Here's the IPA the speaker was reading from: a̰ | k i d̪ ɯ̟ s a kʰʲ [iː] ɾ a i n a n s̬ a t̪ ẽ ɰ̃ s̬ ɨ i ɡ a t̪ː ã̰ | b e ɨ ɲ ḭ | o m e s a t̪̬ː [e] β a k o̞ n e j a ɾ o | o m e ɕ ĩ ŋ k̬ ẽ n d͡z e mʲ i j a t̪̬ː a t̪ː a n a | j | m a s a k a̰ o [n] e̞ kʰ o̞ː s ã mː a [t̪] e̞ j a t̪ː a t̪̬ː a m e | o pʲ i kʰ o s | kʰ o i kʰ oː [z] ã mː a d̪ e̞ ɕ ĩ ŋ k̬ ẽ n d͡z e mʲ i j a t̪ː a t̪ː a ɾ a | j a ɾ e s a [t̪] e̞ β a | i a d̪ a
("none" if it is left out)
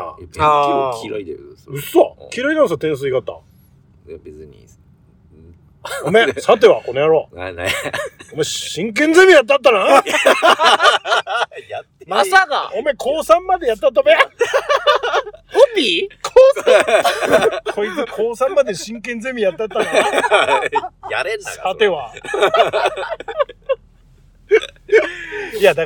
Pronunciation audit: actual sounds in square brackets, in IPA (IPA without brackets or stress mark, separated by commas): i, e, m, d̪, s, t̪